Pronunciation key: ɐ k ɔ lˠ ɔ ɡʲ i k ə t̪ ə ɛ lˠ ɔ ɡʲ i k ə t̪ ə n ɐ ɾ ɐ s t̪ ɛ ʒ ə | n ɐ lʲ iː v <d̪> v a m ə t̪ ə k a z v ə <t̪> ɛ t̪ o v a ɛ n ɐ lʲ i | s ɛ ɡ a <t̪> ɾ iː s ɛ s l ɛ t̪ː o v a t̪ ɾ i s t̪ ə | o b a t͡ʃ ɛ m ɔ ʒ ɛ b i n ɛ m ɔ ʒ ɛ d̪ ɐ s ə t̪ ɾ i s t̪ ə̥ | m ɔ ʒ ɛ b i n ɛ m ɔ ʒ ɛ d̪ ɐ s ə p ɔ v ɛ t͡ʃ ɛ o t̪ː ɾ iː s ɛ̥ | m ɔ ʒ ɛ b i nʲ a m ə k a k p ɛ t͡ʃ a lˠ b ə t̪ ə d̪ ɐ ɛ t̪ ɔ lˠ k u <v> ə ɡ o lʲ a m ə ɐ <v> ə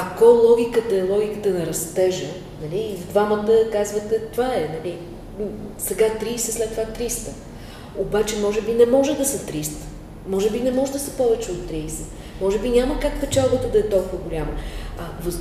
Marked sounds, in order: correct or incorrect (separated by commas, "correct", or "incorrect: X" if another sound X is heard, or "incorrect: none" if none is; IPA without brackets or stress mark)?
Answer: correct, correct, correct, correct, correct